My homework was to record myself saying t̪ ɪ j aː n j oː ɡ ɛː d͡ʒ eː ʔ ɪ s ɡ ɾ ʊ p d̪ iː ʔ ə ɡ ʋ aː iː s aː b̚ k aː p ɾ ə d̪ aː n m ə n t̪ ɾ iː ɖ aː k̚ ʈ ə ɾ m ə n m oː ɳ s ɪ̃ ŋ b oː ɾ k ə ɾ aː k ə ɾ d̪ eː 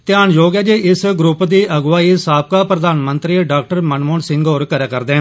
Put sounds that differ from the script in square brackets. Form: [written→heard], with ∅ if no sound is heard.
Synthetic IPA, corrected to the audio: t̪ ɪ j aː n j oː ɡ ɛː d͡ʒ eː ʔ ɪ s ɡ ɾ ʊ p d̪ iː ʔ ə ɡ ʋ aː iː s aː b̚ k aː p ɾ ə d̪ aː n m ə n t̪ ɾ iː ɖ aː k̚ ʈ ə ɾ m ə n m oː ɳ s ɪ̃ ŋ [b→ɡ] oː ɾ k ə ɾ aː k ə ɾ d̪ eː